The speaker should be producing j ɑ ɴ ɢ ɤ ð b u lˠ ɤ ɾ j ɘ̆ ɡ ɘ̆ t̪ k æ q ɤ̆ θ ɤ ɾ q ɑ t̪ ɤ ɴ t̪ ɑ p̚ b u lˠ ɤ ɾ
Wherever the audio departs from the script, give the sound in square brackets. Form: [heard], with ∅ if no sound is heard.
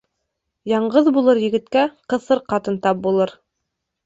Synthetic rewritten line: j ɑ ɴ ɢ ɤ ð b u lˠ ɤ ɾ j ɘ̆ ɡ ɘ̆ t̪ k æ q ɤ̆ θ ɤ ɾ q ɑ t̪ ɤ [n] t̪ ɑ p̚ b u lˠ ɤ ɾ